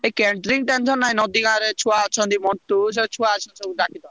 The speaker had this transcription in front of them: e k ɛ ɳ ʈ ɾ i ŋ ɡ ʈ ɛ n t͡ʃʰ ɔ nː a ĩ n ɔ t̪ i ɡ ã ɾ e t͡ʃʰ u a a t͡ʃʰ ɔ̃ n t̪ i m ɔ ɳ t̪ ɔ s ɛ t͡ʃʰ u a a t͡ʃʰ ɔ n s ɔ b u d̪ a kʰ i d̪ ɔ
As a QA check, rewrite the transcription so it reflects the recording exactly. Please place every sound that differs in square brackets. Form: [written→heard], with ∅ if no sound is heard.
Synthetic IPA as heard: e k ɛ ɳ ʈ ɾ i ŋ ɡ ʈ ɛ n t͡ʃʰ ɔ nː a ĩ n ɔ [t̪→d̪] i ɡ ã ɾ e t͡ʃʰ u a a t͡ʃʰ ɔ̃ n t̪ i m ɔ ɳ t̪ [ɔ→u] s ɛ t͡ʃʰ u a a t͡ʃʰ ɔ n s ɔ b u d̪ a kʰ i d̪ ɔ